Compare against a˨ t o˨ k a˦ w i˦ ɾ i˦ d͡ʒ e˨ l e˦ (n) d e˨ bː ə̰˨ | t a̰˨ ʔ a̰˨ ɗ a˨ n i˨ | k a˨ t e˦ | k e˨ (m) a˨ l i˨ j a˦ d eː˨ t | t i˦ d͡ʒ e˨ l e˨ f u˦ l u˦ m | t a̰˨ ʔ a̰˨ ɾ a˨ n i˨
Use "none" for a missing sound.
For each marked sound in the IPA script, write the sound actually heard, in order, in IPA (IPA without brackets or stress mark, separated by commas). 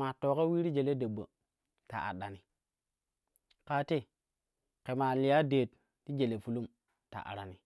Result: none, m